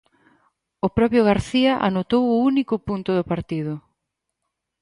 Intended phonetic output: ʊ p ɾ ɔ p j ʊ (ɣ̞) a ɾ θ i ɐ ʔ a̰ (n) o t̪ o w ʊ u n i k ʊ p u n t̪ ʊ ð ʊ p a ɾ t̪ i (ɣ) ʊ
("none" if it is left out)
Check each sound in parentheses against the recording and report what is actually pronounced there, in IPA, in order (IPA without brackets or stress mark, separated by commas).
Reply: ɣ̞, n, ð